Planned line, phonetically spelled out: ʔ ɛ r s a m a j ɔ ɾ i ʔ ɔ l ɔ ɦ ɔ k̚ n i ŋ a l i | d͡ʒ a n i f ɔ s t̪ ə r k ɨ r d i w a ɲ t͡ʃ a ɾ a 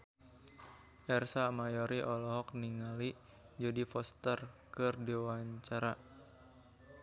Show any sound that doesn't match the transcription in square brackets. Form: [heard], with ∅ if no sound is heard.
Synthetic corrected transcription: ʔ ɛ r s a m a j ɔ ɾ i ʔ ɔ l ɔ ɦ ɔ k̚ n i ŋ a l i | d͡ʒ a [d] i f ɔ s t̪ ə r k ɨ r d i w a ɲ t͡ʃ a ɾ a